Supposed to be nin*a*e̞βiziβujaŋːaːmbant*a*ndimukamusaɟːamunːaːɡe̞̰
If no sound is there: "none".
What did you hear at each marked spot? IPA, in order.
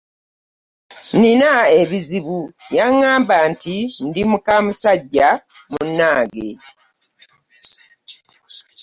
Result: a, i

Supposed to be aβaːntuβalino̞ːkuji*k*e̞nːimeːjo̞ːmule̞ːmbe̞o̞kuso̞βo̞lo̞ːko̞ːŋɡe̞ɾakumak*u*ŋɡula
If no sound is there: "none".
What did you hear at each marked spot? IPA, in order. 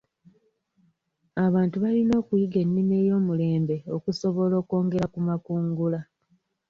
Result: ɡ, uː

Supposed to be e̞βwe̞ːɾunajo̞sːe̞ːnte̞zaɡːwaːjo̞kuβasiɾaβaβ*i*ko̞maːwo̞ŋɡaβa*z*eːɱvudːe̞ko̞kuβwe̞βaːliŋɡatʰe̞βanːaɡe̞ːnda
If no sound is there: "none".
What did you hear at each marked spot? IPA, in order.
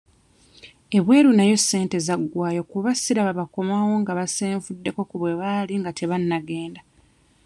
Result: a, s

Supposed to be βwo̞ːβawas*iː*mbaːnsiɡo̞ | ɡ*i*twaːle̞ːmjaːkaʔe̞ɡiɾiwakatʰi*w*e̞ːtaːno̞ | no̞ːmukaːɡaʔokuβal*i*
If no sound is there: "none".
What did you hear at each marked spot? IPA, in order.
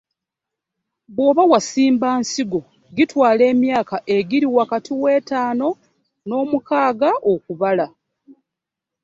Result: iː, i, w, a

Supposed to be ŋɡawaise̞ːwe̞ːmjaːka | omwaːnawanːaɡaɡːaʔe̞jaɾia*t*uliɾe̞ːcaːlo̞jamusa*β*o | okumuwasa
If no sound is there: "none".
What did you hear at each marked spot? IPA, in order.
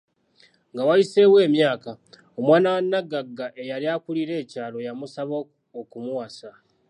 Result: k, β

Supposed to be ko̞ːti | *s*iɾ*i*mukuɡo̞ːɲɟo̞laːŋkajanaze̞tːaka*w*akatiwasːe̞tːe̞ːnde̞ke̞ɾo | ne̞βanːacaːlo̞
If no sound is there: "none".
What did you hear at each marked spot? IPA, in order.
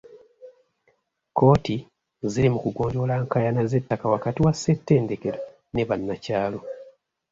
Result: z, i, w

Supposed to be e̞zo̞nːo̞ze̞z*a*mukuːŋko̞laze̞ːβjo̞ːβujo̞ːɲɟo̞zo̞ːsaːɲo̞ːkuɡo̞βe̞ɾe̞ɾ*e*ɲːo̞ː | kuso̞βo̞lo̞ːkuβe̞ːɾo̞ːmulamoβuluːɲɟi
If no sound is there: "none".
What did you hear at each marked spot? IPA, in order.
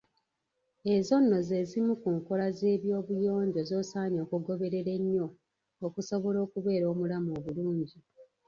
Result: i, e

